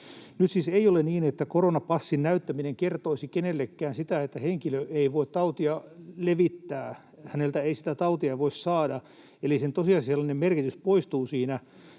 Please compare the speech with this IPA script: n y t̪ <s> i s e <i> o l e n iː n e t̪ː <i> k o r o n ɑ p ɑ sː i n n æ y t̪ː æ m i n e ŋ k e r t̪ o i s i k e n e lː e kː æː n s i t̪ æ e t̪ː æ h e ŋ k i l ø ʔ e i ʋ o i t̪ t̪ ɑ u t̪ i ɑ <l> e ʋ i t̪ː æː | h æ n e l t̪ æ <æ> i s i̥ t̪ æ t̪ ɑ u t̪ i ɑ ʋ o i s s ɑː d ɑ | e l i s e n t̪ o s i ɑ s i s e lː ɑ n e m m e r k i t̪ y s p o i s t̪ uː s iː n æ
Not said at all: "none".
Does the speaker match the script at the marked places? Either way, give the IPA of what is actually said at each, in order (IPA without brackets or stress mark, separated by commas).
s, i, æ, l, e